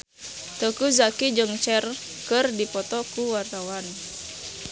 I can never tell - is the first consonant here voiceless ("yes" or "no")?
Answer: yes